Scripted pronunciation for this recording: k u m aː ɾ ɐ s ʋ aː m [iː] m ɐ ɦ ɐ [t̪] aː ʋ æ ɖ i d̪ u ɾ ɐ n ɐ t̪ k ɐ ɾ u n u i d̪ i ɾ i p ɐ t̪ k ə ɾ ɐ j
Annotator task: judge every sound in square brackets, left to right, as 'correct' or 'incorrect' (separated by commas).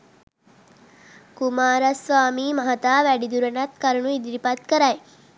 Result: correct, correct